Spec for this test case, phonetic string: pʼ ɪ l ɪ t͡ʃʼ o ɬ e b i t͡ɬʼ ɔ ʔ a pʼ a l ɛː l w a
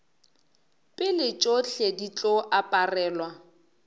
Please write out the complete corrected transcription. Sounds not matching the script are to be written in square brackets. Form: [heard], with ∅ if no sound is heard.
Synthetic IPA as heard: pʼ ɪ l ɪ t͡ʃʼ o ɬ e [d] i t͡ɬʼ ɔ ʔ a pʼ a [r] ɛː l w a